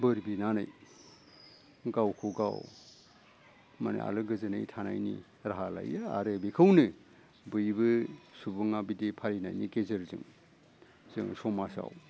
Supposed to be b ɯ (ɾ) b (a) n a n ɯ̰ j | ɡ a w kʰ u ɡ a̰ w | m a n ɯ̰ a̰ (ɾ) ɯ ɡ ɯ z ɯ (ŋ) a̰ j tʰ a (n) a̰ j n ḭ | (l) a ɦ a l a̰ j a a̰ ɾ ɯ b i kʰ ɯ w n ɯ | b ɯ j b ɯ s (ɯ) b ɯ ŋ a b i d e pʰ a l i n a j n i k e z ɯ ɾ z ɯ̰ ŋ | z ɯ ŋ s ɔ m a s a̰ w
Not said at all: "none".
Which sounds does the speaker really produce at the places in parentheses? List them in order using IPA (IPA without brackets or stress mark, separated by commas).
ɾ, i, l, n, n, ɾ, u